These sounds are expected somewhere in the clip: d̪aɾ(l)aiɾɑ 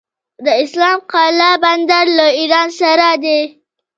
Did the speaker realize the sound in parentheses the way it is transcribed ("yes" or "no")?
yes